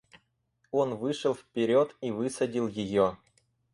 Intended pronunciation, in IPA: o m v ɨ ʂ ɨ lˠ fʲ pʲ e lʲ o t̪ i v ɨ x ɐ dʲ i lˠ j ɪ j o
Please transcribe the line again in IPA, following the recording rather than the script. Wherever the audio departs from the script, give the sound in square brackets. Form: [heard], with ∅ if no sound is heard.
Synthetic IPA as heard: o [n] v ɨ ʂ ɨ lˠ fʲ pʲ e [ɾʲ] o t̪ i v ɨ [s] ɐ dʲ i lˠ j ɪ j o